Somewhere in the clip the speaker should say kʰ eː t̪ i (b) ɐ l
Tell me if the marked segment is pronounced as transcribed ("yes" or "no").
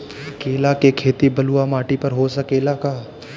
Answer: yes